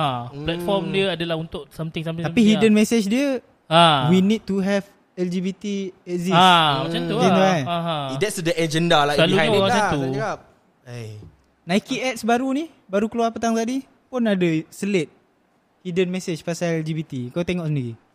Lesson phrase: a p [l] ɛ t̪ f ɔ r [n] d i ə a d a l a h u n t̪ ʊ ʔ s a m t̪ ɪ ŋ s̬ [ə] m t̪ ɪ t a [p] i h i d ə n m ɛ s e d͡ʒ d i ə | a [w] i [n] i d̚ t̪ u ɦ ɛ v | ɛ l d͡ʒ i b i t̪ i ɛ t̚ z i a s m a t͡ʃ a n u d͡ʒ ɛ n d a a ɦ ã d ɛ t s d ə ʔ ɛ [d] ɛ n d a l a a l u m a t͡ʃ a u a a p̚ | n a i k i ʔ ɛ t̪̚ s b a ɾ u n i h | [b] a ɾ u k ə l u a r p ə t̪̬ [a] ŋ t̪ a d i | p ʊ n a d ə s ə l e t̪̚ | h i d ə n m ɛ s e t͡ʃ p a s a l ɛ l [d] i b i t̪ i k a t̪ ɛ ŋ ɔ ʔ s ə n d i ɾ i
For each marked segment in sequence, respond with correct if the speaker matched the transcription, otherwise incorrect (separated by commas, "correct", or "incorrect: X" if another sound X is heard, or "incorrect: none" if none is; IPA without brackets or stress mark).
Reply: correct, incorrect: m, incorrect: a, correct, correct, correct, incorrect: d͡ʒ, correct, correct, incorrect: d͡ʒ